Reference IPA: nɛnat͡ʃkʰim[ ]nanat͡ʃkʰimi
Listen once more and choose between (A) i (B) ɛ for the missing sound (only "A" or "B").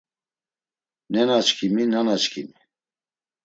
A